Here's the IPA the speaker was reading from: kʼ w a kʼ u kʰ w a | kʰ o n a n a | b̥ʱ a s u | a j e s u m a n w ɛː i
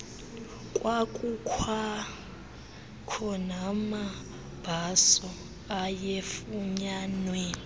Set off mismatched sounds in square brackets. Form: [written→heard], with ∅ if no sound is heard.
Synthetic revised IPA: kʼ w a kʼ u kʰ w a | kʰ [o→ɔ] n a [n→m] a | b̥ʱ a s [u→ɔ] | a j e [s→f] u [m→ɲ] a n w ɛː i